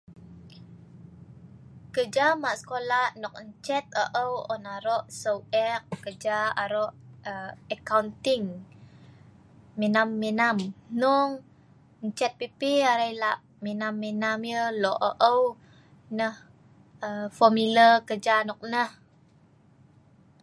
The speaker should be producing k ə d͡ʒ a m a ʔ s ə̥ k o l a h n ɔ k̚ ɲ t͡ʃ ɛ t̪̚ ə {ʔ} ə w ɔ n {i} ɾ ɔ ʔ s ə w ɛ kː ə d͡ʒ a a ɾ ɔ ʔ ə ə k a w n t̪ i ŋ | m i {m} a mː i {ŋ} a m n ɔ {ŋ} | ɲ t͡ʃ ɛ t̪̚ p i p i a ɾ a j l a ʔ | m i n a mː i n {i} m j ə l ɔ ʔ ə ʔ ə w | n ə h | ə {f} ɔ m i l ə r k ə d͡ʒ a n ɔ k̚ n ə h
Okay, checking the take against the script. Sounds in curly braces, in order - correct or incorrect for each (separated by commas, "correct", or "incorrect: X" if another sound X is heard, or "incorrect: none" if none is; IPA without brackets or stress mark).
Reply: correct, incorrect: a, incorrect: n, incorrect: n, correct, incorrect: a, correct